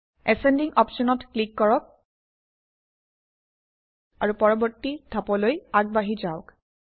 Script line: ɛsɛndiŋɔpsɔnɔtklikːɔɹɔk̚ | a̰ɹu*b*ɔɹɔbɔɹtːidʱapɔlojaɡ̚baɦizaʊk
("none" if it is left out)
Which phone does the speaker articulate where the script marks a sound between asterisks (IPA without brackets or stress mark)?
p